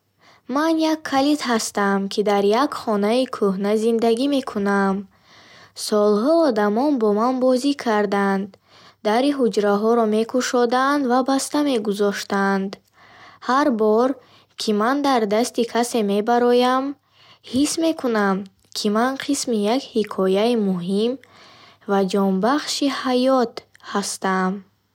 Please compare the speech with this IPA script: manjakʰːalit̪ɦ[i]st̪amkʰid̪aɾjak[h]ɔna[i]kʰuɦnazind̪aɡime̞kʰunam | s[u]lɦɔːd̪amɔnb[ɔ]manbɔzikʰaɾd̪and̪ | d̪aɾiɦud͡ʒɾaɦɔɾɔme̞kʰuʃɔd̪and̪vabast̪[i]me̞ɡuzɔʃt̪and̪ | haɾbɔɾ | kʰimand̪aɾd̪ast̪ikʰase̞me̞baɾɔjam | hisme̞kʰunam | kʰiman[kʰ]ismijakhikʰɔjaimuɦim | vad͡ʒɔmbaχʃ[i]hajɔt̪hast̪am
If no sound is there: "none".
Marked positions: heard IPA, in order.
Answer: a, χ, i, ɔ, ɔ, a, qʰ, i

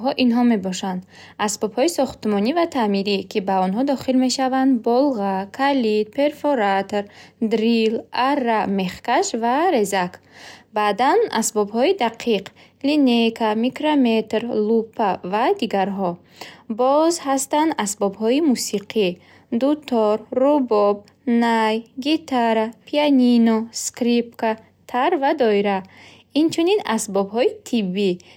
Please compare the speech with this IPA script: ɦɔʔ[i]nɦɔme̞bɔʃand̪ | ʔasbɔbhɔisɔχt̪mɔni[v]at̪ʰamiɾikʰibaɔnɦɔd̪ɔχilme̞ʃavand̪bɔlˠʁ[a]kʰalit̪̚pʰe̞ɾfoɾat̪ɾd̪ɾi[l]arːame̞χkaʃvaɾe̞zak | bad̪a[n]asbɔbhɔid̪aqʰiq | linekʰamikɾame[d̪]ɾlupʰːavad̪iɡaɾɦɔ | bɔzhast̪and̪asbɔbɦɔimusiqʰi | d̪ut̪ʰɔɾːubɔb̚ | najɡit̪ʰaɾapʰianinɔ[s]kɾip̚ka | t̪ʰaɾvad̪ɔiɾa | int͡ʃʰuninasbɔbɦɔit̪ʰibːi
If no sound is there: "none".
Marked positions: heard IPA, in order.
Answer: i, v, a, l, n, t̪, s

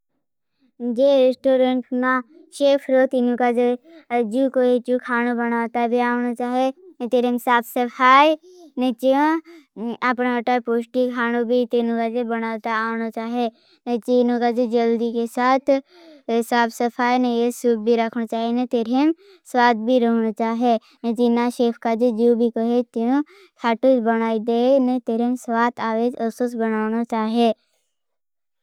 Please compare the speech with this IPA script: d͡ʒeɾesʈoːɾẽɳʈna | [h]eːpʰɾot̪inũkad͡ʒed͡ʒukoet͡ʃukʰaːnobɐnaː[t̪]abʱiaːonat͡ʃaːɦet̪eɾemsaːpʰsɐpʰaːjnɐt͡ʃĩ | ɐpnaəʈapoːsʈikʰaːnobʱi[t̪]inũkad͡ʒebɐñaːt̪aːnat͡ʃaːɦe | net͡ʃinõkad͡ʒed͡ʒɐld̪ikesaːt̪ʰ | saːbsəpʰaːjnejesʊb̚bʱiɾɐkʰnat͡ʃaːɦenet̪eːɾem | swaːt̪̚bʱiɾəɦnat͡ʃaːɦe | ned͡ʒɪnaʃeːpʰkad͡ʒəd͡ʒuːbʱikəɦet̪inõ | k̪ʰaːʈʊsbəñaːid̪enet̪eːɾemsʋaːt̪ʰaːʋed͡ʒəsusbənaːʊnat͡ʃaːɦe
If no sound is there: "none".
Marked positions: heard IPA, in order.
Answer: ʃ, t̪, t̪

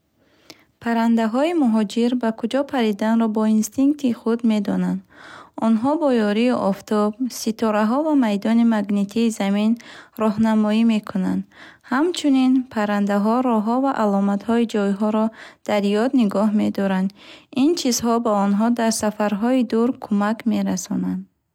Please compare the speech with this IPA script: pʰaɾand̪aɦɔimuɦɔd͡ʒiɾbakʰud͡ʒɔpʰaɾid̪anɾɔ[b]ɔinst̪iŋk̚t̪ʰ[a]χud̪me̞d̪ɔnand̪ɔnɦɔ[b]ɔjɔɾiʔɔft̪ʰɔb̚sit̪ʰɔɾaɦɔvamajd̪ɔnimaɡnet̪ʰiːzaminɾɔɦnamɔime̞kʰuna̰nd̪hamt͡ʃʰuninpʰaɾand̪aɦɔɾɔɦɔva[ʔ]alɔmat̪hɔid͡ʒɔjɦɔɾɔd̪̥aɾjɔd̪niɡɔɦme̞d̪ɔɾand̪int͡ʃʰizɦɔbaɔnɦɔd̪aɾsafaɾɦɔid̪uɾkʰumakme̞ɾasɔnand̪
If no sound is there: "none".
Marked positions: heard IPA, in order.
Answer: b, i, b, ʔ

